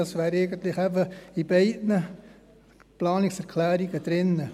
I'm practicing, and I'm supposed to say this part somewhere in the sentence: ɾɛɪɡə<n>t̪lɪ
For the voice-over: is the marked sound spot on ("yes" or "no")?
yes